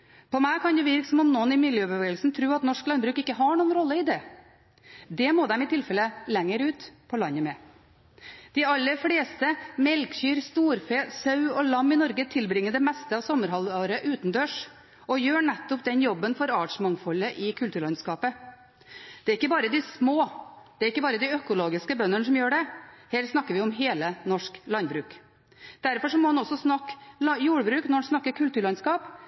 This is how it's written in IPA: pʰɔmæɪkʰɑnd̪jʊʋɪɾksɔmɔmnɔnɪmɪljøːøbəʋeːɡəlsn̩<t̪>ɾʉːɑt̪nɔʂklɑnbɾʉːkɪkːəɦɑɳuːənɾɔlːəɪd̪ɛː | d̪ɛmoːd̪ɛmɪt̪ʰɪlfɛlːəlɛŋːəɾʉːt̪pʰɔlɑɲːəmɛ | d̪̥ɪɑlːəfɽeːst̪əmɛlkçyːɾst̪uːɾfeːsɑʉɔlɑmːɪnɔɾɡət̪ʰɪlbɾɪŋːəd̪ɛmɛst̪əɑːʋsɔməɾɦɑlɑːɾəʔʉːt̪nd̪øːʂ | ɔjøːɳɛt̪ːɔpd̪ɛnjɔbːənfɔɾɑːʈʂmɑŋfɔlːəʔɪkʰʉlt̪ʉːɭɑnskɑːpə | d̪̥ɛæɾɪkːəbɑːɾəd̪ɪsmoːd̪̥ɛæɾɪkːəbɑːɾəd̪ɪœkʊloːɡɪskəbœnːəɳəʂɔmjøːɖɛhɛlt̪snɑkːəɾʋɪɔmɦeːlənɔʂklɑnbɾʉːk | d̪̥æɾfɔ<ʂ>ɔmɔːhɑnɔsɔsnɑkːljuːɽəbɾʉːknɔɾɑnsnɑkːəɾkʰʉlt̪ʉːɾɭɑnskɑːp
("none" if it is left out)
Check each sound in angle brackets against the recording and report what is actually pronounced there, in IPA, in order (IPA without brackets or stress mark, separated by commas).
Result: t̪ʰ, ʂ